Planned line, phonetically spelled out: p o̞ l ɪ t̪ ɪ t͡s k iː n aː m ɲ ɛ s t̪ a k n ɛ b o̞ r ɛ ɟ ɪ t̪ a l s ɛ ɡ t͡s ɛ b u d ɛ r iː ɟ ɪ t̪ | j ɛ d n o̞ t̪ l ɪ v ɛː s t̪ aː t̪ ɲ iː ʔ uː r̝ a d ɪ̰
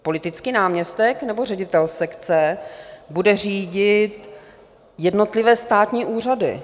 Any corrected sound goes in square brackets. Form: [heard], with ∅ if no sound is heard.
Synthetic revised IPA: p o̞ l ɪ t̪ ɪ t͡s k iː n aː m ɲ ɛ s t̪ [ɛ] k n ɛ b o̞ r ɛ ɟ ɪ t̪ [ɛ] l s ɛ [k] t͡s ɛ b u d ɛ r iː ɟ ɪ t̪ | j ɛ d n o̞ t̪ l ɪ v ɛː s t̪ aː t̪ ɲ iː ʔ uː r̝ a d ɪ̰